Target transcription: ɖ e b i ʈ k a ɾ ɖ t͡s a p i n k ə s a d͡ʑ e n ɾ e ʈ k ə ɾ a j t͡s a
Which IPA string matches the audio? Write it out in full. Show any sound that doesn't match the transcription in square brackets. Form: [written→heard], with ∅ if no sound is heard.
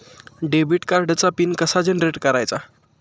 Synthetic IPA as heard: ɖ e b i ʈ k a ɾ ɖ t͡s a p i n k ə s a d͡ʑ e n ɾ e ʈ k ə ɾ a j t͡s a